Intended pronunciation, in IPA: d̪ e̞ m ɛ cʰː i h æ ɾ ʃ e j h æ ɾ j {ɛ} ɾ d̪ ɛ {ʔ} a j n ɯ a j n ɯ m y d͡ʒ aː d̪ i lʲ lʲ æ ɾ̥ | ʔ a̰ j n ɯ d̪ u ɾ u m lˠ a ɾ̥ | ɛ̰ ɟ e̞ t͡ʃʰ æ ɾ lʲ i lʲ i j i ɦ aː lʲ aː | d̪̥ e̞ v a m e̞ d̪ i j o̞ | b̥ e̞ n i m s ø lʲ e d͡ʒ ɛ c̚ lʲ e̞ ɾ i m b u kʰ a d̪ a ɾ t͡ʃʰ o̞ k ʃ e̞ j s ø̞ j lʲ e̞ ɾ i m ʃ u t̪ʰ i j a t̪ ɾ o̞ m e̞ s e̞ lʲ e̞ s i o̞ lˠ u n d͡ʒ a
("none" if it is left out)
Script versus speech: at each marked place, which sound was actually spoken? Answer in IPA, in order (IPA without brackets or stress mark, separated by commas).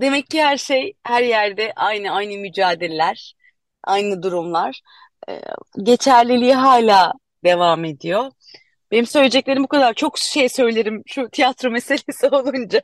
æ, ʔ